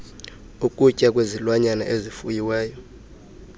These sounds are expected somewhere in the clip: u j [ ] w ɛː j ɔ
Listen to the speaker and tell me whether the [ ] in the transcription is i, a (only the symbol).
i